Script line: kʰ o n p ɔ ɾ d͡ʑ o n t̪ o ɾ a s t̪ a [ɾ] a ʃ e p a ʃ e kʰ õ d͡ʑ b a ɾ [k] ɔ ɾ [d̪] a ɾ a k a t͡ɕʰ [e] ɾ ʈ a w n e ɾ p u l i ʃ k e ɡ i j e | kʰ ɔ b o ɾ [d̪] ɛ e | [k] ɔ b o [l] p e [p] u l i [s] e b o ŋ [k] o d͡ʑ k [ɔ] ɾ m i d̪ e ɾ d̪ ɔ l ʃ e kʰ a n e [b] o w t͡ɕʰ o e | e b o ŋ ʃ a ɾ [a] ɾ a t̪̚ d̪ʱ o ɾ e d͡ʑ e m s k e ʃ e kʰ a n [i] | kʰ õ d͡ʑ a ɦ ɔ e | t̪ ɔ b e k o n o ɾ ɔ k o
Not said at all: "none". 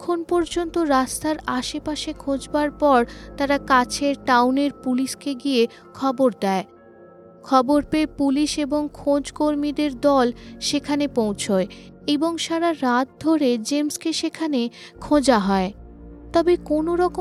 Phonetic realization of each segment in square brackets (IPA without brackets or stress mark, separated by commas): ɾ, p, t̪, e, d̪, kʰ, ɾ, p, ʃ, kʰ, o, p, a, e